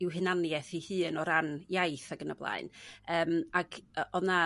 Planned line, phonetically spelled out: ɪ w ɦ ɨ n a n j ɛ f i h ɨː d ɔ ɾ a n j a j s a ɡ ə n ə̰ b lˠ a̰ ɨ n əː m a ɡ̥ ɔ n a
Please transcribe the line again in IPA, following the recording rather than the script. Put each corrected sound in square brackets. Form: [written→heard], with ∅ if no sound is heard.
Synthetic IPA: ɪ w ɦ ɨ n a n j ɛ [f→θ] i h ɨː [d→n] ɔ ɾ a n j a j [s→θ] a ɡ ə n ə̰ b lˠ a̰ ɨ n əː m a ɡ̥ ɔ n a